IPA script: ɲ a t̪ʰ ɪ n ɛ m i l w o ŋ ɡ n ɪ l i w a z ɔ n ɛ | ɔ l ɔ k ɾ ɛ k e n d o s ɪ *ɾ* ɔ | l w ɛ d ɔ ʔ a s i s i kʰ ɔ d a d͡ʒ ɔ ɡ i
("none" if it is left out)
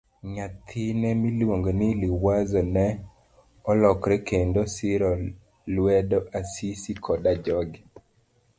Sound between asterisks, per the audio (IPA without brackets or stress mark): ɾ